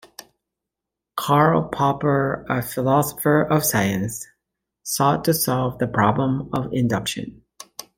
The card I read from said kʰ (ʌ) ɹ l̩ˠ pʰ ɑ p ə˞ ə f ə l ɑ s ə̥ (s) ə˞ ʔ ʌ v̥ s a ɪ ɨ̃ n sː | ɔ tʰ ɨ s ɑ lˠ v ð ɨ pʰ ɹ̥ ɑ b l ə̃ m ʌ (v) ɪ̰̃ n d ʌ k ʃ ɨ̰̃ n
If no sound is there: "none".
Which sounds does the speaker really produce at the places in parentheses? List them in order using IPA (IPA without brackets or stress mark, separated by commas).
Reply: ɑ, f, v